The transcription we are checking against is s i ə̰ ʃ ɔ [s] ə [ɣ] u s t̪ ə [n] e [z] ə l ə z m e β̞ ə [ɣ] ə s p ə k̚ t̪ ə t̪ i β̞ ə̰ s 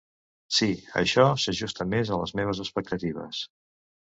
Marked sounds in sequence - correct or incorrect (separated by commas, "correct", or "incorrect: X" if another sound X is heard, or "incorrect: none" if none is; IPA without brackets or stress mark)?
correct, incorrect: ʒ, incorrect: m, correct, incorrect: z